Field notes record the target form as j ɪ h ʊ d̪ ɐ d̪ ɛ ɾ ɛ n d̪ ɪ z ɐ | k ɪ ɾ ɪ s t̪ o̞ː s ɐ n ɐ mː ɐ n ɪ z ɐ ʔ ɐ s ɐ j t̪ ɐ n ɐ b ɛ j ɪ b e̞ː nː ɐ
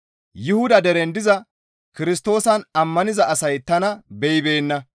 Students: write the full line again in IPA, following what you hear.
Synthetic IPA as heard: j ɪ h ʊ d̪ ɐ d̪ ɛ ɾ ɛ n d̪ ɪ z ɐ | k ɪ ɾ ɪ s t̪ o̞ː s ɐ n ɐ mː ɐ n ɪ z ɐ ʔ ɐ s ɐ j t̪ ɐ n ɐ b ɛ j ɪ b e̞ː nː ɐ